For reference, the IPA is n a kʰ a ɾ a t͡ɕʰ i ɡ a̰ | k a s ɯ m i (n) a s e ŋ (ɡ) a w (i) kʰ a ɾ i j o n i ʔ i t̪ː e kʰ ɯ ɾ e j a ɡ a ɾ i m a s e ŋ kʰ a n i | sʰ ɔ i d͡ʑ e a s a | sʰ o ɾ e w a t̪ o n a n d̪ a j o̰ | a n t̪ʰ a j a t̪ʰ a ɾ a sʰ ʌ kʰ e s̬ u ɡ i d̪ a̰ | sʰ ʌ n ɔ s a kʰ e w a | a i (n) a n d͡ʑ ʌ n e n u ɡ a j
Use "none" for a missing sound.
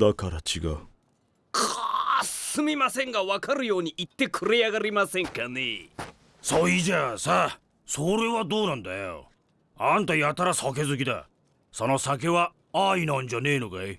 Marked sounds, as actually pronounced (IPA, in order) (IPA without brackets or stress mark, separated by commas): m, ɡ, a, n